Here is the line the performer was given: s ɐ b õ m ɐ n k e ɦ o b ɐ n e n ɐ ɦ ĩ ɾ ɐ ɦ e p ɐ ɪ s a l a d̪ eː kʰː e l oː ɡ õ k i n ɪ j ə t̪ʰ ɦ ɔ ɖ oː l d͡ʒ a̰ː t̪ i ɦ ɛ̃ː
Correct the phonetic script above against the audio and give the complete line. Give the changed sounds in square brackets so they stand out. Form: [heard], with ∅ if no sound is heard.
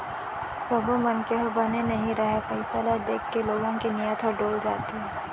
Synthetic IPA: s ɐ b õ m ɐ n k e ɦ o b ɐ n e n ɐ ɦ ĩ ɾ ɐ ɦ e p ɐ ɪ s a l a d̪ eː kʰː e l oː ɡ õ k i n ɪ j ə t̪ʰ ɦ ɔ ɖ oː l d͡ʒ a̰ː t̪ i ɦ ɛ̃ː